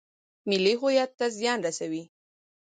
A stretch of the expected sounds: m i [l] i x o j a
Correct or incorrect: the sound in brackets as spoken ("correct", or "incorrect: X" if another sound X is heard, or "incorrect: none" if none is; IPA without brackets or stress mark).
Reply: correct